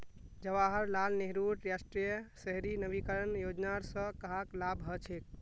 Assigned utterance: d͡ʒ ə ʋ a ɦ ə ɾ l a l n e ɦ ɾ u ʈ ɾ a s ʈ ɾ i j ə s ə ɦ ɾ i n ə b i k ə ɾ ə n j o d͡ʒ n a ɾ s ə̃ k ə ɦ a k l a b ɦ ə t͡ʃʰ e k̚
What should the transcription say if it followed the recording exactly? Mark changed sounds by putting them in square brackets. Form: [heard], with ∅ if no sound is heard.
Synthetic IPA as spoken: d͡ʒ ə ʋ a ɦ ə ɾ l a l n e ɦ ɾ u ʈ ɾ a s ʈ ɾ i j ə s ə ɦ ɾ i n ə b i k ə ɾ ə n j o d͡ʒ n a ɾ s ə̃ k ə ɦ a k l a b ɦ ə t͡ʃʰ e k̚